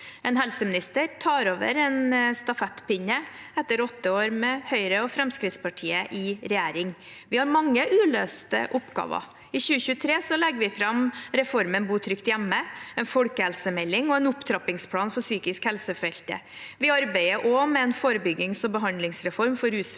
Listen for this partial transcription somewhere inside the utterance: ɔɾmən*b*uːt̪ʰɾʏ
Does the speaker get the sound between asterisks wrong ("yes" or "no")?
no